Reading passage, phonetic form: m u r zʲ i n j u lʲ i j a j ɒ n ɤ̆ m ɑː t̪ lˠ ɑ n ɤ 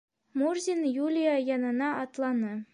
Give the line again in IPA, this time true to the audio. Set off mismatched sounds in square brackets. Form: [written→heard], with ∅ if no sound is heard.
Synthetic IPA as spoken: m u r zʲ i n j u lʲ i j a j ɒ n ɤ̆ [m→n] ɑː t̪ lˠ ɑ n ɤ

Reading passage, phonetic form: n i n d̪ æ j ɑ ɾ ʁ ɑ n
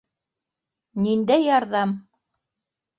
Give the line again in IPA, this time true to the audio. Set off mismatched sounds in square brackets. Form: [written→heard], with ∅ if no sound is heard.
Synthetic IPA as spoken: n i n d̪ æ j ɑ ɾ [ʁ→ð] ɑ [n→m]

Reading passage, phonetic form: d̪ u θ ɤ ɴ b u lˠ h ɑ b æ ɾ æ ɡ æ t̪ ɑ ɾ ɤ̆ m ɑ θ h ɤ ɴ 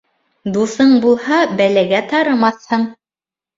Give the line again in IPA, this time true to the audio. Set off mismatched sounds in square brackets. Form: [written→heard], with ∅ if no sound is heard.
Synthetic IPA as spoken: d̪ u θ ɤ ɴ b u lˠ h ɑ b æ [ɾ→l] æ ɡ æ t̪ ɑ ɾ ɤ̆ m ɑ θ h ɤ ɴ

